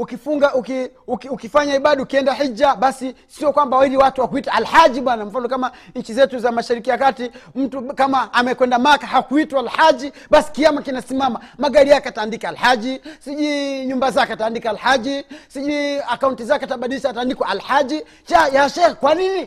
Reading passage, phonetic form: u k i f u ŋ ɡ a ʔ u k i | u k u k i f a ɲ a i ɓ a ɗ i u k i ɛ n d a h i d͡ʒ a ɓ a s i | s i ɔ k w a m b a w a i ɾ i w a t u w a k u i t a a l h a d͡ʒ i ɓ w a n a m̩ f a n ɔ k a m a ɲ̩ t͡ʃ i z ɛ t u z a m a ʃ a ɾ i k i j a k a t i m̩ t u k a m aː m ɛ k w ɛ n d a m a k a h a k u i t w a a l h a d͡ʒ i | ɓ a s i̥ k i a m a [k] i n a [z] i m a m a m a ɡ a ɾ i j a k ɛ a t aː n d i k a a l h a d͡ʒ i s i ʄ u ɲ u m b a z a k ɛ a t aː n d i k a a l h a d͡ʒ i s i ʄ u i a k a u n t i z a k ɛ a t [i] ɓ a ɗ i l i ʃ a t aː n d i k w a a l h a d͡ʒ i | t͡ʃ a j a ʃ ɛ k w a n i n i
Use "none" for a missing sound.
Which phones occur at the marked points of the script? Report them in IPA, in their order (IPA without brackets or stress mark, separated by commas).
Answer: k, s, a